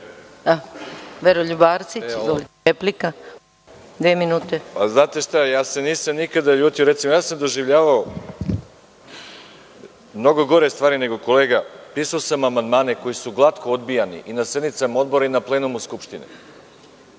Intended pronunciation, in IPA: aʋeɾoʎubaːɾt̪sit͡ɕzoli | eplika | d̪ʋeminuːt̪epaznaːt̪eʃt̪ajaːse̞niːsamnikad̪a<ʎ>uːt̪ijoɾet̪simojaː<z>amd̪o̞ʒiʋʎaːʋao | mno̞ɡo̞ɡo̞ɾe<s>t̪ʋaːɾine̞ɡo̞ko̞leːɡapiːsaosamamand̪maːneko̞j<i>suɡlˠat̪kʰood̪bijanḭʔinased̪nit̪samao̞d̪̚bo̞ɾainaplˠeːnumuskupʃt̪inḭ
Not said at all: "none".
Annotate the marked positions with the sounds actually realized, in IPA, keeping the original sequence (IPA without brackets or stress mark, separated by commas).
ʎ, s, s, i